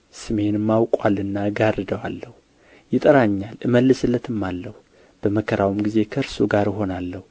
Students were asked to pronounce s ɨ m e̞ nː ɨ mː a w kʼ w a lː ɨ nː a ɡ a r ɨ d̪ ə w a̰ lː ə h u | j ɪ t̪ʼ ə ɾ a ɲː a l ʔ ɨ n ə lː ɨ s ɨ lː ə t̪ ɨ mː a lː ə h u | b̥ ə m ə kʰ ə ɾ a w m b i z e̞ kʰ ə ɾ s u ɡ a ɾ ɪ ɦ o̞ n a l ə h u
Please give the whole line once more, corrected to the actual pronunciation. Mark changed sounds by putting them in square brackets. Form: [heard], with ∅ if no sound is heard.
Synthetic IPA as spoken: s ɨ m e̞ [n] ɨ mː a w kʼ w a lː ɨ nː a ɡ a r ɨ d̪ ə w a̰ lː ə h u | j ɪ t̪ʼ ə ɾ a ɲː a l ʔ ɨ [m] ə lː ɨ s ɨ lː ə t̪ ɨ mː a lː ə h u | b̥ ə m ə kʰ ə ɾ a w m [ɡ] i z e̞ kʰ ə ɾ s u ɡ a ɾ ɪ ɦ o̞ n a [lː] ə h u